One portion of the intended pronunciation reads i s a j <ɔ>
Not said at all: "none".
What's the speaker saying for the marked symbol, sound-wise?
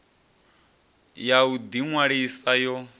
ɔ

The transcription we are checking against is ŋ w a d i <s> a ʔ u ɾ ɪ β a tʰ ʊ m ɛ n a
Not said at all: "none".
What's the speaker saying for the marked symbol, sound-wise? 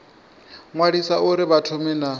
s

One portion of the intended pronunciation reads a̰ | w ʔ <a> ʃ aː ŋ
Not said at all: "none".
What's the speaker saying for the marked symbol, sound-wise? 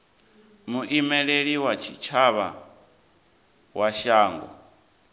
a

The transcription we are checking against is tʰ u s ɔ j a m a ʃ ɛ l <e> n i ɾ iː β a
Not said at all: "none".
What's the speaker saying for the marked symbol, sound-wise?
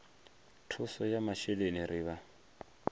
e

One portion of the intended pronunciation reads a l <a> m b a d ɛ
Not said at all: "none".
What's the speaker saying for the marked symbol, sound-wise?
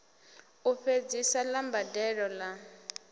a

